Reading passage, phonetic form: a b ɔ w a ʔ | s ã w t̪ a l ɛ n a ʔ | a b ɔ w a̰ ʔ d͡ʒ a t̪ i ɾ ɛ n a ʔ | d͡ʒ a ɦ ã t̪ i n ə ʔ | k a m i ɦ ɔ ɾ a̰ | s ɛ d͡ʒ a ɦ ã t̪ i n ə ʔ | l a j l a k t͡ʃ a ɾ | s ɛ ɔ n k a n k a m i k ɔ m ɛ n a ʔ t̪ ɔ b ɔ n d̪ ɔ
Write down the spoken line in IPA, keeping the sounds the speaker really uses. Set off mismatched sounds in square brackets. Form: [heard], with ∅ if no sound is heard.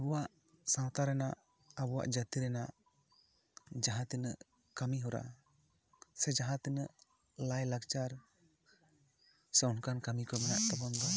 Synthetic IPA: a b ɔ w a ʔ | s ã w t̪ a [ɾ] ɛ n a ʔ | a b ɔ w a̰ ʔ d͡ʒ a t̪ i ɾ ɛ n a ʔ | d͡ʒ a ɦ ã t̪ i n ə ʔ | k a m i ɦ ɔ ɾ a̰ | s ɛ d͡ʒ a ɦ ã t̪ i n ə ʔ | l a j l a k t͡ʃ a ɾ | s ɛ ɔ n k a n k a m i k ɔ m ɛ n a ʔ t̪ ɔ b ɔ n d̪ ɔ